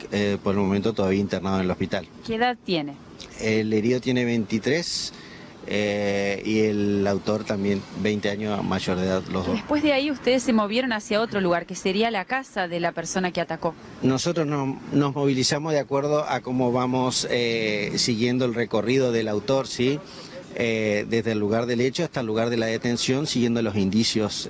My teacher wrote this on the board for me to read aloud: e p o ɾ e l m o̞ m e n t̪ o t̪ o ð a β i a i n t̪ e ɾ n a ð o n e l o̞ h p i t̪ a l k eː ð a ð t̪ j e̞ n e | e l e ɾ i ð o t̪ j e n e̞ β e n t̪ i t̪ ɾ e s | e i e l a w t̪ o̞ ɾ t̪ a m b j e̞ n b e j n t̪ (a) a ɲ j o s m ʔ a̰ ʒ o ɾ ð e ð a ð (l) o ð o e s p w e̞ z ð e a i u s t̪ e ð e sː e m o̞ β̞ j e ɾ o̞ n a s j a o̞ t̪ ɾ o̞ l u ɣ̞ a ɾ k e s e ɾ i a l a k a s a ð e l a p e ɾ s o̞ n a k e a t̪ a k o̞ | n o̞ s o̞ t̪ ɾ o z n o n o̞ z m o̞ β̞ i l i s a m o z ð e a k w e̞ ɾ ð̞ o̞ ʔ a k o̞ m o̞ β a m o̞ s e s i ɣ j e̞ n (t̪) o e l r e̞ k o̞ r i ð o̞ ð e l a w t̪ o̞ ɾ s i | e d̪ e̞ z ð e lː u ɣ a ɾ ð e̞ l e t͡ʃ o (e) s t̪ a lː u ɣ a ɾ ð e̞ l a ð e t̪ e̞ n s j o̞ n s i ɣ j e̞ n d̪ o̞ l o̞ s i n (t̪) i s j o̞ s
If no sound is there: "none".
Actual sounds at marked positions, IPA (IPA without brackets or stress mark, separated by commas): e, l, d̪, a, d̪